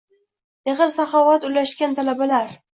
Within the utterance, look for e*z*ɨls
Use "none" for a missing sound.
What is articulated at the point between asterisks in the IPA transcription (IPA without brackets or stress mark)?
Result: ʁ